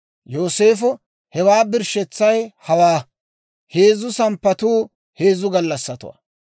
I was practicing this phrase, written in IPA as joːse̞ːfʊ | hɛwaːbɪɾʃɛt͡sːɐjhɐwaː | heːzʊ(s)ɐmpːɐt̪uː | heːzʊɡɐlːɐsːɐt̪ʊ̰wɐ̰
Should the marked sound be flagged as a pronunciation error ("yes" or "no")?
no